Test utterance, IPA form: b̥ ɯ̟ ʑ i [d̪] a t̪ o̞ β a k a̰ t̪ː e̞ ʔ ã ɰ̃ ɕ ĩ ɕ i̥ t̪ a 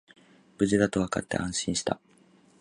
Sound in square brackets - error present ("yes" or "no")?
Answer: no